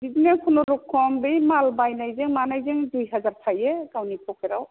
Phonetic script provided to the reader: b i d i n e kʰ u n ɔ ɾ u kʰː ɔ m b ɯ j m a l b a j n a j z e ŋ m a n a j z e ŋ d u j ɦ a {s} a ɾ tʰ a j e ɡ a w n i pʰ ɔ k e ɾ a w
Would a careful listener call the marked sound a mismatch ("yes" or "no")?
yes